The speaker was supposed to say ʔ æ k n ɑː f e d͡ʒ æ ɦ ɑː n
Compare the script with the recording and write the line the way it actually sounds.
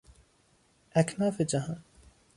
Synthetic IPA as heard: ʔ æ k n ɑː f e d͡ʒ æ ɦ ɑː n